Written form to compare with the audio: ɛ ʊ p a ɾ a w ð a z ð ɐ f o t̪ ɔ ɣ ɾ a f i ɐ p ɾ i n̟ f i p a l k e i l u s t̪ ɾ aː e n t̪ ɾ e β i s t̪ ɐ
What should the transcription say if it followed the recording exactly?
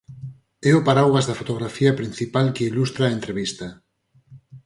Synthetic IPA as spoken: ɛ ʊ p a ɾ a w ɣ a z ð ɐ f o t̪ o ɣ ɾ a f i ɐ p ɾ i n̟ θ i p a l k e i l u s t̪ ɾ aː e n t̪ ɾ e β i s t̪ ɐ